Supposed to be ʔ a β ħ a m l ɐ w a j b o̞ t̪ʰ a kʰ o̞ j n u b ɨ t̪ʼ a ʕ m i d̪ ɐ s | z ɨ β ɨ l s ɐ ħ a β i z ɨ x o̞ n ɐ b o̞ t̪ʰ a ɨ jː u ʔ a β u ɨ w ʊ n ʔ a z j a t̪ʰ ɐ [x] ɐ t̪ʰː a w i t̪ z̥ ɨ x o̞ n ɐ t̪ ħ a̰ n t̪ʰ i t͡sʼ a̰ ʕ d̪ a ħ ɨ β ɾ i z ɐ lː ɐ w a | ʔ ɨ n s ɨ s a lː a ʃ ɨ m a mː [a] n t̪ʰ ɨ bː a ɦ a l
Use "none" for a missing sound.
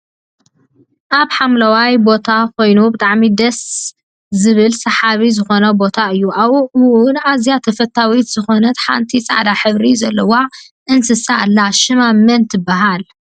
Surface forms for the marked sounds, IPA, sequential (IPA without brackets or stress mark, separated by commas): f, ɐ